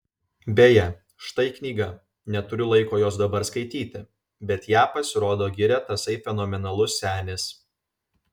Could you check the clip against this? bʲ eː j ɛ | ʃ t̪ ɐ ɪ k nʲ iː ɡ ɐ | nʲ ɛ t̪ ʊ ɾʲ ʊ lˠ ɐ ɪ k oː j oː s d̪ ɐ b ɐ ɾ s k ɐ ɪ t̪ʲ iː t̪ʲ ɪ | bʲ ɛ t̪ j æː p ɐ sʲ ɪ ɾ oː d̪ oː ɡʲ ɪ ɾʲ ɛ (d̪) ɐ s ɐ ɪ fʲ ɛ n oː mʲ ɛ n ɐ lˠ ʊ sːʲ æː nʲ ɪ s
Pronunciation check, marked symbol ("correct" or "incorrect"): incorrect